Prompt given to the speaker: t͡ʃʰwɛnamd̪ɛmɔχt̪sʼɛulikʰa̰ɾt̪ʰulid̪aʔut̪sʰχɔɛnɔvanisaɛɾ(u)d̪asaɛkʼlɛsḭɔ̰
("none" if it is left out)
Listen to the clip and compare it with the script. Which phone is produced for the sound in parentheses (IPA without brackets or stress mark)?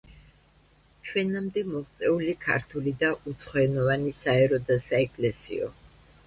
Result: ɔ